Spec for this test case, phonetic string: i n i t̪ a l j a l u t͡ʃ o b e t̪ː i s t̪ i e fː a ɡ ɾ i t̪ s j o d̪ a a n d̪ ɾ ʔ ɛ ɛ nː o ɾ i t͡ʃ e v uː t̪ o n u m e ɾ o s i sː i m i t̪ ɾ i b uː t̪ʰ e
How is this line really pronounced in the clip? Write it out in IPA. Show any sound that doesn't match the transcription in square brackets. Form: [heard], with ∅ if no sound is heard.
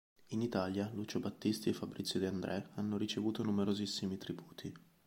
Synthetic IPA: i n i t̪ a l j a l u t͡ʃ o b [a] t̪ː i s t̪ i e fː a [b] ɾ i t̪ s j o d̪ [i] a n d̪ ɾ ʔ ɛ [a] nː o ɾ i t͡ʃ e v uː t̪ o n u m e ɾ o [z] i sː i m i t̪ ɾ i b uː t̪ʰ [i]